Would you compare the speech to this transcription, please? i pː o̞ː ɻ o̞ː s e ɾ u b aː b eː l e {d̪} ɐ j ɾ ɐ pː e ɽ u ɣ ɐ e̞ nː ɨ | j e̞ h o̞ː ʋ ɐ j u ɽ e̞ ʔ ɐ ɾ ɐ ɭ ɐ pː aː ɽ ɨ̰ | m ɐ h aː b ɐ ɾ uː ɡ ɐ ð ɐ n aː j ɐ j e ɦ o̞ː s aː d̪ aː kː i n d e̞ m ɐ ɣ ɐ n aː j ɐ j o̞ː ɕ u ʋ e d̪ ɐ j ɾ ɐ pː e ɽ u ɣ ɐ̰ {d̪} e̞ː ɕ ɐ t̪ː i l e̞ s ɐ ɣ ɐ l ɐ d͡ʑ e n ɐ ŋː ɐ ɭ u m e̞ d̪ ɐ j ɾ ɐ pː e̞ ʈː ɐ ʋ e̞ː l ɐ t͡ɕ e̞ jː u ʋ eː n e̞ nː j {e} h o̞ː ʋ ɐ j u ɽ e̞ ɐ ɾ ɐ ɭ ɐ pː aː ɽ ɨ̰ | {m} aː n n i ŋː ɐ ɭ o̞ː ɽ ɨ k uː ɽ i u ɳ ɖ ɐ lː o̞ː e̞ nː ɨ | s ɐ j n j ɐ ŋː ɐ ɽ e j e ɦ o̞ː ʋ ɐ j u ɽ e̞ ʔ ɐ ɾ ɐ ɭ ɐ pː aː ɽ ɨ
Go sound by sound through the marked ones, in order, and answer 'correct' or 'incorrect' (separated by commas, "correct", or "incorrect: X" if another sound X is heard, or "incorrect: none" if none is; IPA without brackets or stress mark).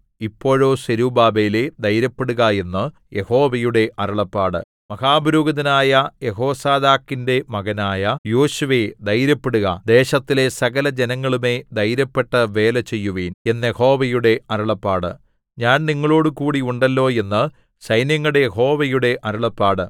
correct, correct, correct, incorrect: ɲ